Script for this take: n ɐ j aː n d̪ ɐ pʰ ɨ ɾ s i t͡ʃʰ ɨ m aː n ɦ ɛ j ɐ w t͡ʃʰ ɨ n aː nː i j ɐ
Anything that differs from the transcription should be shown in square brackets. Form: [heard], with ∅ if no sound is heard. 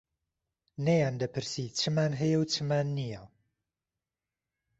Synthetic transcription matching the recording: n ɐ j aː n d̪ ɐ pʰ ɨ ɾ s i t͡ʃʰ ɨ m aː n ɦ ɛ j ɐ w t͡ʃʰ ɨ [m] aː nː i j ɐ